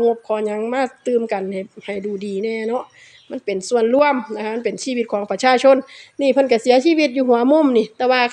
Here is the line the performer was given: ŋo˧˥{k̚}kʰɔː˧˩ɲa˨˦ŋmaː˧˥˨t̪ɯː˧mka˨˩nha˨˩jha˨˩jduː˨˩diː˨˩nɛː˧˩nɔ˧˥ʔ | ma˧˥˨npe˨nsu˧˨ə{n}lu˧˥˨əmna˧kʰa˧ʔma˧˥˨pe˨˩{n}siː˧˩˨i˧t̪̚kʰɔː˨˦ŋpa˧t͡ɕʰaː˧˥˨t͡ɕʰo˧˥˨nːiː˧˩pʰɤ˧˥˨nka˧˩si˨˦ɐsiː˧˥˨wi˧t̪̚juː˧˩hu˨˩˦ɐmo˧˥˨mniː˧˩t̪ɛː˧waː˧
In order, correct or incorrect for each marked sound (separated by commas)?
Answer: incorrect, correct, correct